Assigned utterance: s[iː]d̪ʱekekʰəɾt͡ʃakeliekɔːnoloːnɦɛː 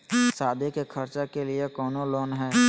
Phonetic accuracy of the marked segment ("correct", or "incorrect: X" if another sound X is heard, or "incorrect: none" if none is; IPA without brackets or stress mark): incorrect: aː